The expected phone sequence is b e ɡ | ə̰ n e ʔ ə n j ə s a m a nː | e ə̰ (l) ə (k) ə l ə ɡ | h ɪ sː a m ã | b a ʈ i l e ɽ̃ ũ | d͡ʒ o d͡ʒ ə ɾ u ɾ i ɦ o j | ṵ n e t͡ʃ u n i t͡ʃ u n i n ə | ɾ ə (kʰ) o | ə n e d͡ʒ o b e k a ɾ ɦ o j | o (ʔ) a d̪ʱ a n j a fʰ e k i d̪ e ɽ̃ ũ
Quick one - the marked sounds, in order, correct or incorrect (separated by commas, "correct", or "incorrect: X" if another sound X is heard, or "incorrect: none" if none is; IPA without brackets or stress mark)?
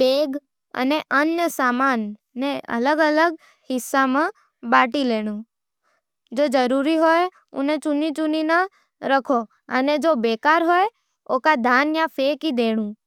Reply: correct, incorrect: ɡ, correct, incorrect: k